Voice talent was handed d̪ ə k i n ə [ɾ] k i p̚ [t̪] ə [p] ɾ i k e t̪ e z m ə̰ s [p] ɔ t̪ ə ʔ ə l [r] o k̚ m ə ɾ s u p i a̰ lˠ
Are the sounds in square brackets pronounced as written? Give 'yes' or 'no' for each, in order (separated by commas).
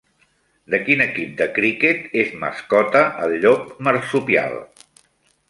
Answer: no, no, no, no, no